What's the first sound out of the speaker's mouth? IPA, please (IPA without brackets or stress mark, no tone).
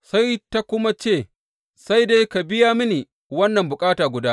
s